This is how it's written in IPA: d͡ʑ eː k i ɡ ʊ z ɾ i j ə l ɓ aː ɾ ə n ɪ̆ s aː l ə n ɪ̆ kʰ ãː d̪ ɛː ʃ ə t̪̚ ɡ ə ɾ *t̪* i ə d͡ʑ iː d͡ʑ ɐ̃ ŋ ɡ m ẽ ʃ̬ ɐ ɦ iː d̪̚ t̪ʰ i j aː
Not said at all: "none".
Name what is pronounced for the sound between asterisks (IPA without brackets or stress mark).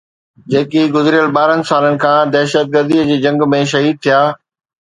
d̪